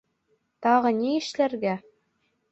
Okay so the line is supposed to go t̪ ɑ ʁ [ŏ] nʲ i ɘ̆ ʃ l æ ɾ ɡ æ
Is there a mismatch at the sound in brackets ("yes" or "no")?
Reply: yes